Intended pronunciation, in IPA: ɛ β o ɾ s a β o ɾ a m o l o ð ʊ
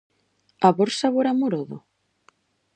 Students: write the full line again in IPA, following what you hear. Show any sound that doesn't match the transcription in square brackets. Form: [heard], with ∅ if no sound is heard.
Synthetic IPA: [a] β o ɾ s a β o ɾ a m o [ɾ] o ð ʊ